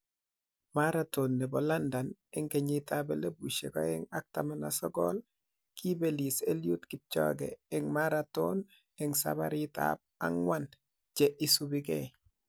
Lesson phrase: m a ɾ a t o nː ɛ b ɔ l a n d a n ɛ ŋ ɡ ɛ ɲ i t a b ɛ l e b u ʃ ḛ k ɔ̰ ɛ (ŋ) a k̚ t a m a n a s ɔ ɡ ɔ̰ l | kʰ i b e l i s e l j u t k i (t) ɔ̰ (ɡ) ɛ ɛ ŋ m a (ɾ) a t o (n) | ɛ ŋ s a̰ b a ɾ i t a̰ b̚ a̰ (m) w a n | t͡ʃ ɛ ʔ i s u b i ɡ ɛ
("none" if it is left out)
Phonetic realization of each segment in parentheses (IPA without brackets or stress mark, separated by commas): ŋ, t͡ʃ, ɡ, ɾ, n, ŋ